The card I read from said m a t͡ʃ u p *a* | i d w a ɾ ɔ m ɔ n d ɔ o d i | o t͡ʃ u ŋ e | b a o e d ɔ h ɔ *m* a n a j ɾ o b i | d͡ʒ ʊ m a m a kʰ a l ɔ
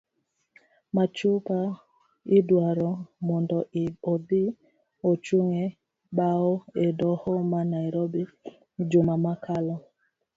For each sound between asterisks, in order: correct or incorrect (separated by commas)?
correct, correct